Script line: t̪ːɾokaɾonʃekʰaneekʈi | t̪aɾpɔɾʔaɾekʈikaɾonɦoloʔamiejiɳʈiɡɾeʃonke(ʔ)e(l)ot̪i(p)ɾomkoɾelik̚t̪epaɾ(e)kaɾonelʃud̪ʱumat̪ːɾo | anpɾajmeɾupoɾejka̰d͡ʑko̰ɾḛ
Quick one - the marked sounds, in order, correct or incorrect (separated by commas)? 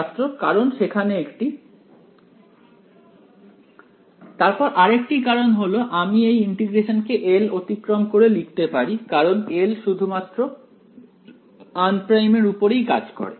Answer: correct, correct, incorrect, incorrect